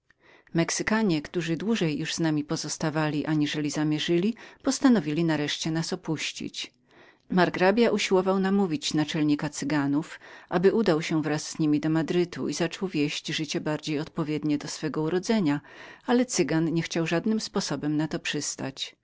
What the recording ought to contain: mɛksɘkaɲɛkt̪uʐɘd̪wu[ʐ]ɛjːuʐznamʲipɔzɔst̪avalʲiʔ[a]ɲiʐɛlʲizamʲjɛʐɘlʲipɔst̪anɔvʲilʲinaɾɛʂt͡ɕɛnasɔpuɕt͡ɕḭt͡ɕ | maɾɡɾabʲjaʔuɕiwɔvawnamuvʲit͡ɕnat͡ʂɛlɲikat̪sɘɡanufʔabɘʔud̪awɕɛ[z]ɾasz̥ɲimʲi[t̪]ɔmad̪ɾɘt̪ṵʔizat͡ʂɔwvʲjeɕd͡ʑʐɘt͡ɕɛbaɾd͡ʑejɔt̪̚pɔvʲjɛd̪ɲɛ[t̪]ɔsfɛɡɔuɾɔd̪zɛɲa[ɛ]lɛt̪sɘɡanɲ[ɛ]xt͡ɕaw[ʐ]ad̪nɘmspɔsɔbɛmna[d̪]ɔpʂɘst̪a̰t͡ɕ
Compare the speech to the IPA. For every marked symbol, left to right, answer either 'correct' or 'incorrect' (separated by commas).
correct, correct, incorrect, incorrect, incorrect, incorrect, correct, correct, incorrect